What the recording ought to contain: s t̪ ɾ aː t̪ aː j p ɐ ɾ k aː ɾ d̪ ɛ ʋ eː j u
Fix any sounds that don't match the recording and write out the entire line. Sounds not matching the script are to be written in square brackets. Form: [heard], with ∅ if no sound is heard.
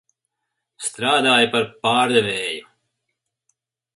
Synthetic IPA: s t̪ ɾ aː [d̪] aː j p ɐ ɾ [p] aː ɾ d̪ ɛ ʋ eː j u